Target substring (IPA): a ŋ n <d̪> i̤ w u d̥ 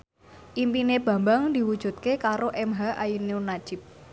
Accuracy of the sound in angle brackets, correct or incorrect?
correct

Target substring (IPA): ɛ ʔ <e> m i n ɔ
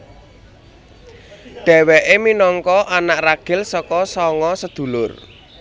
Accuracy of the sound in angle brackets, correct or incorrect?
correct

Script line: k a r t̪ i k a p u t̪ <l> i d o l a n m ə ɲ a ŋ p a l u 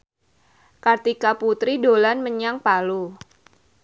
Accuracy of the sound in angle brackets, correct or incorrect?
incorrect: ɾ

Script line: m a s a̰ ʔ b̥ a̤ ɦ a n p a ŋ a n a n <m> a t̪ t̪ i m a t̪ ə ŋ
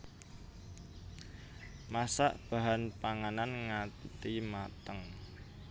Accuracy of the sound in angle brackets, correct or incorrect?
incorrect: ŋ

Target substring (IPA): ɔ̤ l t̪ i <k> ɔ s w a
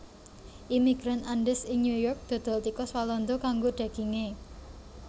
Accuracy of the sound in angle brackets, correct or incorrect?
correct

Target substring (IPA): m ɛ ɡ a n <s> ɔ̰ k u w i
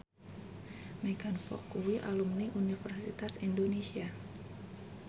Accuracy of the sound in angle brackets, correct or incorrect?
incorrect: f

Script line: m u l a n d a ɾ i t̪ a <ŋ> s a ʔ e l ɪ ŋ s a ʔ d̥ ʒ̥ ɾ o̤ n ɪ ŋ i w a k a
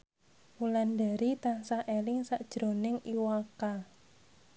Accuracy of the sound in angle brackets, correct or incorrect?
incorrect: n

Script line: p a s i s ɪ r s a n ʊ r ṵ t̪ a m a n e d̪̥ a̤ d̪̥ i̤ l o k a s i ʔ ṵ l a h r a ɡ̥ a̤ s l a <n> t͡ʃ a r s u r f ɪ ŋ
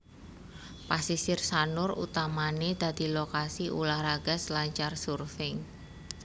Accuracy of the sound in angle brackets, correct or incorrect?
incorrect: ɲ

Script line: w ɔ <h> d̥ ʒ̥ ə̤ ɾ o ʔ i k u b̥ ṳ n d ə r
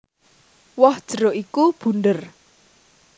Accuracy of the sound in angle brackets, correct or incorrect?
correct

